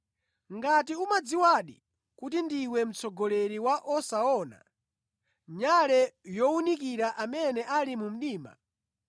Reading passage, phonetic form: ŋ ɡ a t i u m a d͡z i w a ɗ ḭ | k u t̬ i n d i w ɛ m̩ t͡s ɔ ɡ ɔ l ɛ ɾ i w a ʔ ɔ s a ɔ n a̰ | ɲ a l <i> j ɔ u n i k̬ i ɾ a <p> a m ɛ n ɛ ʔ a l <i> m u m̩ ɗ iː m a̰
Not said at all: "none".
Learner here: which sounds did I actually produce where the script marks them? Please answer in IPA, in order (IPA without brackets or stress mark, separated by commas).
ɛ, ʔ, i